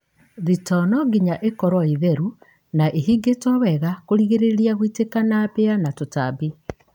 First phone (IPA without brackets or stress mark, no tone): ð